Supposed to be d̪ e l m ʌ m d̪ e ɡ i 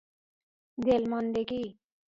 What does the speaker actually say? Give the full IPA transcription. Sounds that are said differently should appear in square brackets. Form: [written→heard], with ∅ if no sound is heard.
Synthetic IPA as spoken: d̪ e l m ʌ [m→n] d̪ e [ɡ→k] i